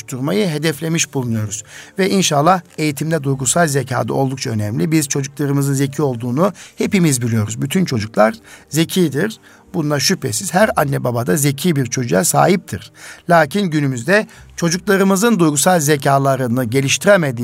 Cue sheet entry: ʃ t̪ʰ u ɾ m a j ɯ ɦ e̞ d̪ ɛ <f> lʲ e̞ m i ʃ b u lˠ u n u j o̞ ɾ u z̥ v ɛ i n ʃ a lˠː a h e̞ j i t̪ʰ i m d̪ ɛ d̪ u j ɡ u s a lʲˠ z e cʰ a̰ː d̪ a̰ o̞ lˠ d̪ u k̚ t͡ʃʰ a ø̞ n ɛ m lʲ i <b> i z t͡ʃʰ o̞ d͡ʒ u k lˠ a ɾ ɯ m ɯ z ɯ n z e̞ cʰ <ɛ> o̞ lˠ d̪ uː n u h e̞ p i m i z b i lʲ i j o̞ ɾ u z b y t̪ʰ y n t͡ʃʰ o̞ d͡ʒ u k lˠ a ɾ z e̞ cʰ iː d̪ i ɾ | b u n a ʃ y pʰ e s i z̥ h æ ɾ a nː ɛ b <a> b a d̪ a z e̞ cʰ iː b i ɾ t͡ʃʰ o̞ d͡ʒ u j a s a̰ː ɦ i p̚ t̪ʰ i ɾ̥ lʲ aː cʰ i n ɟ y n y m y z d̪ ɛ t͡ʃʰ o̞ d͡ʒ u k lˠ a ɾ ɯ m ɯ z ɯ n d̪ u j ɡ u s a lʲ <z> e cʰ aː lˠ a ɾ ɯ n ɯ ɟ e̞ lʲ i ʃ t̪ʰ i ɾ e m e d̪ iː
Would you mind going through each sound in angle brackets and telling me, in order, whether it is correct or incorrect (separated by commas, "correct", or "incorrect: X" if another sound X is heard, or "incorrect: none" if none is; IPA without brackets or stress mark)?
correct, correct, incorrect: i, correct, correct